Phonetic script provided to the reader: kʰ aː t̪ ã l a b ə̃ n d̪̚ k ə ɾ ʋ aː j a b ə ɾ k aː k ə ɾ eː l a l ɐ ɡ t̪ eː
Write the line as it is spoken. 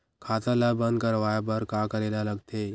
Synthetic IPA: kʰ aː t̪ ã l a b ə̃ n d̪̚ k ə ɾ ʋ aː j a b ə ɾ k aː k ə ɾ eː l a l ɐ ɡ t̪ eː